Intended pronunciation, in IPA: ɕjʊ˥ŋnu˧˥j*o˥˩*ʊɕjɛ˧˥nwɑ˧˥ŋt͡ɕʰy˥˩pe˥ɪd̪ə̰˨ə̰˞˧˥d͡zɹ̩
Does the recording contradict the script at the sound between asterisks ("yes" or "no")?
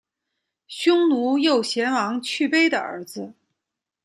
no